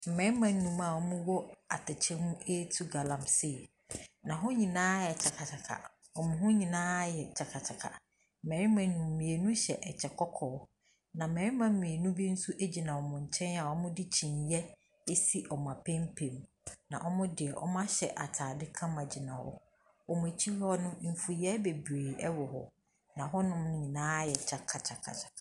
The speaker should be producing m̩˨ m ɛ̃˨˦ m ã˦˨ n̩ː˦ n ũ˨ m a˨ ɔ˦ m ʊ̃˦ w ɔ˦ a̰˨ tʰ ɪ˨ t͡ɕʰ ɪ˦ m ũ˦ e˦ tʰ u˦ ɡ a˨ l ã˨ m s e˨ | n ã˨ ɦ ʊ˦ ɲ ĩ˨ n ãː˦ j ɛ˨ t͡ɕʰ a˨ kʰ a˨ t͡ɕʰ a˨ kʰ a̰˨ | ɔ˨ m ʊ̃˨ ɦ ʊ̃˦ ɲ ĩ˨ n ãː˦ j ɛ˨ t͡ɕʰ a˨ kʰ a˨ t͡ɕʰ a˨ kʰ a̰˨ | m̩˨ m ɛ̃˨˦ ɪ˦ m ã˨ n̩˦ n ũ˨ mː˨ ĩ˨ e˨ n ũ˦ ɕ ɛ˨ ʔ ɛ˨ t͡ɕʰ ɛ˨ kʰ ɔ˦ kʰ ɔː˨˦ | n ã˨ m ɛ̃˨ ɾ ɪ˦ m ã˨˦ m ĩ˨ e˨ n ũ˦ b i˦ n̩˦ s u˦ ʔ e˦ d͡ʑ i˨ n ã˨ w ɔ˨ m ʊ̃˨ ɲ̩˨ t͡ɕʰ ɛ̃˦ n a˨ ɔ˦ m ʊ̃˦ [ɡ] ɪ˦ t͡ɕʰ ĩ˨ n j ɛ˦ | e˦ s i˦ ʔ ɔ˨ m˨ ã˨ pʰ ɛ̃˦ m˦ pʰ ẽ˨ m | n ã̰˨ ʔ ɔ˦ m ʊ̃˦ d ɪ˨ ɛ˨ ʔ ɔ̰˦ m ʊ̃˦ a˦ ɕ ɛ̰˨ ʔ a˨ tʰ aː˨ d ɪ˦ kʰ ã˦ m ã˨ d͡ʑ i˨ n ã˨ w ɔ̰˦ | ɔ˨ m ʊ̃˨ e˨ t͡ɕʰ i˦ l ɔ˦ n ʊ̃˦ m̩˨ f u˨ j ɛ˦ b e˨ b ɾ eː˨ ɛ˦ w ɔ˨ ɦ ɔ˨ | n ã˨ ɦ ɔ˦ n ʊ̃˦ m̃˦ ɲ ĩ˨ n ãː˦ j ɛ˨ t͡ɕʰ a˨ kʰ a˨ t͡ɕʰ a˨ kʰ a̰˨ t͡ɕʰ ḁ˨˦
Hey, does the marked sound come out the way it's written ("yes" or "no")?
no